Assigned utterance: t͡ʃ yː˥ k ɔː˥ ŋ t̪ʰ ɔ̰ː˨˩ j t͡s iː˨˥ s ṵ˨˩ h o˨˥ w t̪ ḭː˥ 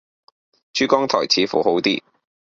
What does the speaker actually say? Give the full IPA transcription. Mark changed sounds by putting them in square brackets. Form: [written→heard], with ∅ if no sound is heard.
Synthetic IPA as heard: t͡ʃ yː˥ k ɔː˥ ŋ t̪ʰ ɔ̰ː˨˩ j [t͡s→t͡sʰ] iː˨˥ [s→f] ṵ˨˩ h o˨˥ w t̪ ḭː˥